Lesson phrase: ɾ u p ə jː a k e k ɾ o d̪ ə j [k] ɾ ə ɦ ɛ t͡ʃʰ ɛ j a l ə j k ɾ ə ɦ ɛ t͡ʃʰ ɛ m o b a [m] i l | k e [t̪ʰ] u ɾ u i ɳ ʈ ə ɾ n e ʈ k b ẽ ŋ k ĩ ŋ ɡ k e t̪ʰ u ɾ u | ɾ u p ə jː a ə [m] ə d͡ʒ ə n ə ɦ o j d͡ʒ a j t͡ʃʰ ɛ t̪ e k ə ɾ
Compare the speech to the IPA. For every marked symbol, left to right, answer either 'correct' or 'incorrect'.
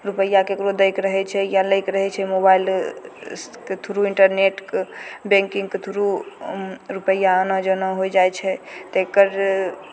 correct, incorrect: none, correct, incorrect: n

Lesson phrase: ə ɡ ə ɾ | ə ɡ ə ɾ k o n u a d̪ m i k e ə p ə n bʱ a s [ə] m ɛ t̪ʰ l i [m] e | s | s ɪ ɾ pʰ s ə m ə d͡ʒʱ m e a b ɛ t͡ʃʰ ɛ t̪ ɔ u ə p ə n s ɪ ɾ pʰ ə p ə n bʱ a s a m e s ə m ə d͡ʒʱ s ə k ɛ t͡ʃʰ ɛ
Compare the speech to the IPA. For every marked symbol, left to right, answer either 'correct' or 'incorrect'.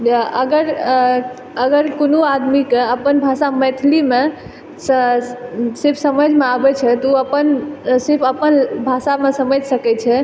incorrect: a, correct

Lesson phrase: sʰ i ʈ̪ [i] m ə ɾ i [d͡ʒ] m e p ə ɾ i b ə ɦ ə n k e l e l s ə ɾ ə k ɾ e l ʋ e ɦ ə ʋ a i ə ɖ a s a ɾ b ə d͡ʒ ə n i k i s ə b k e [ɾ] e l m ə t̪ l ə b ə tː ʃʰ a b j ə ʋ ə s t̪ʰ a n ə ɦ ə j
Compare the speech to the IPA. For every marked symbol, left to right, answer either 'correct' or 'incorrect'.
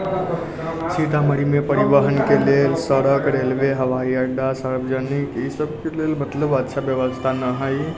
incorrect: a, incorrect: none, incorrect: l

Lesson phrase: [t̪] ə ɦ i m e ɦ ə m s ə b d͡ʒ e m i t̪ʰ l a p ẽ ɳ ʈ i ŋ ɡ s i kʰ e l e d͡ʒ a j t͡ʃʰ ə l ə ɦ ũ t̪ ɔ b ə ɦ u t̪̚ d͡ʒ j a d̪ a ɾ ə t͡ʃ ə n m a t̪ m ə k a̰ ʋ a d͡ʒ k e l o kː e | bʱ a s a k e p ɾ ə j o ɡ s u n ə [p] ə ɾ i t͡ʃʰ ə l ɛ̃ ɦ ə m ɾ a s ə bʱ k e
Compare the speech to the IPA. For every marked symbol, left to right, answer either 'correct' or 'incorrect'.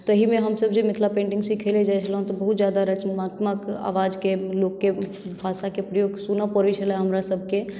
correct, correct

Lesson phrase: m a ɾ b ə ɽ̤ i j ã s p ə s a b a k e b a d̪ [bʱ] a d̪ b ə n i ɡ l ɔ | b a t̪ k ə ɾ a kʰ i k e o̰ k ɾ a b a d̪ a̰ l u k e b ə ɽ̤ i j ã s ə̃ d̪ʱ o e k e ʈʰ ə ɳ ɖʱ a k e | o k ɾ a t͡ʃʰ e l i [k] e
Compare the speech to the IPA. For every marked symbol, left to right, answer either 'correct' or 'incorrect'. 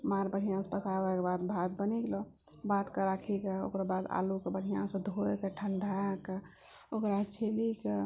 correct, correct

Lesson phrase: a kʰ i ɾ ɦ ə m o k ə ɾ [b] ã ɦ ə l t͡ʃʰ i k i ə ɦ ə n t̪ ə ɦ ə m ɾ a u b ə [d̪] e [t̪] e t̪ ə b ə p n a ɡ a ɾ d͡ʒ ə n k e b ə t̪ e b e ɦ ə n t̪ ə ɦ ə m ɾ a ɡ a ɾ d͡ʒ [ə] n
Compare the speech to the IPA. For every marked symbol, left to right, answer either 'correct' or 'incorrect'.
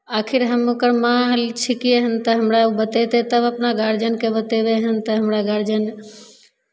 incorrect: m, incorrect: t̪, correct, correct

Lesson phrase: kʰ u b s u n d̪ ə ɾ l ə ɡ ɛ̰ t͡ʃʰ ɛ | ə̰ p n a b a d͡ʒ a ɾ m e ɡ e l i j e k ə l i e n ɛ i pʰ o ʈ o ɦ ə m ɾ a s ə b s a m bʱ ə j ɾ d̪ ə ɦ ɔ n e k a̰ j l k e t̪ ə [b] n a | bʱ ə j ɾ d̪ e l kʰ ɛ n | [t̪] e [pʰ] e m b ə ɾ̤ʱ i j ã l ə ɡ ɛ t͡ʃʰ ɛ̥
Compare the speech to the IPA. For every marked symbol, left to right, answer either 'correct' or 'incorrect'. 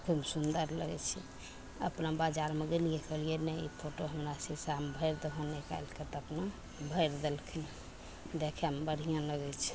incorrect: p, incorrect: d̪, incorrect: kʰ

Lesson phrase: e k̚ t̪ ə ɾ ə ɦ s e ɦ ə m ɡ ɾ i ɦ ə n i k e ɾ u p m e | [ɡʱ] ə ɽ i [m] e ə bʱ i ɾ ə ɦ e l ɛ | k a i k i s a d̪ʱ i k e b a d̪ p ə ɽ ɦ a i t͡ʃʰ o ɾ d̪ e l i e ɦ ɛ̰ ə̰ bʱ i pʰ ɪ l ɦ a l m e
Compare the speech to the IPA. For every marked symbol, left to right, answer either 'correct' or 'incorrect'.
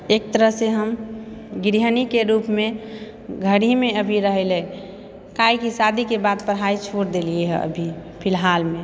correct, correct

